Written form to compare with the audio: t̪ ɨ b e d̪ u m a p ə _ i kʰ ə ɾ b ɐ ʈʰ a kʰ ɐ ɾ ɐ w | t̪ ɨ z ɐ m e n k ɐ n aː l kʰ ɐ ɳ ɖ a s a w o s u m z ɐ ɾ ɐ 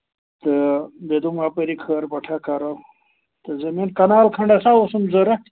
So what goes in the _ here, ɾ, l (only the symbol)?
ɾ